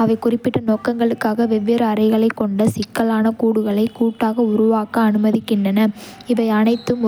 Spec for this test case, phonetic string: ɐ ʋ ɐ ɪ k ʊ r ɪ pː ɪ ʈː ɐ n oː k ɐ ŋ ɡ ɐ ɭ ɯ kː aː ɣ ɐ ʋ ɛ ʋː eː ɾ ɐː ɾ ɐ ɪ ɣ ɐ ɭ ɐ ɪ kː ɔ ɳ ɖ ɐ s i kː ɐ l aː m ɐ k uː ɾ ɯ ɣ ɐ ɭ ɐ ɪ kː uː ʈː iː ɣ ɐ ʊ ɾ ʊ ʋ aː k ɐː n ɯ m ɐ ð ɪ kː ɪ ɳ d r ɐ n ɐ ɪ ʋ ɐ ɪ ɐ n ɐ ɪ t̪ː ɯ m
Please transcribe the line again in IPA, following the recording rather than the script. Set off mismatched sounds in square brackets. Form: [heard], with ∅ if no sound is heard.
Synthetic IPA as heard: ɐ ʋ ɐ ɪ k ʊ r ɪ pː ɪ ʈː ɐ n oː k ɐ ŋ ɡ ɐ ɭ ɯ kː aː ɣ ɐ ʋ ɛ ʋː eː ɾ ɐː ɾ ɐ ɪ ɣ ɐ ɭ ɐ ɪ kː ɔ ɳ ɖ ɐ s [ɪ] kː ɐ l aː [n] ɐ k uː [ɽ] ɯ ɣ ɐ ɭ ɐ ɪ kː uː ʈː [aː] ɣ ɐ ʊ ɾ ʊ ʋ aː k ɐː n ɯ m ɐ ð ɪ kː ɪ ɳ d r ɐ n ɐ ɪ ʋ ɐ ɪ ɐ n ɐ ɪ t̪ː ɯ m